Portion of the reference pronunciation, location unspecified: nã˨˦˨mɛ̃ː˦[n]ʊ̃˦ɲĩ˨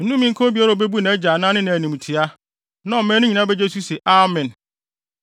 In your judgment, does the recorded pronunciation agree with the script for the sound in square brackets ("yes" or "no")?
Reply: yes